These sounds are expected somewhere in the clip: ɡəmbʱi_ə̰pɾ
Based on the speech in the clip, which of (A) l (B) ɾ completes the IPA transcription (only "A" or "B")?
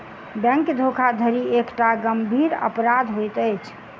B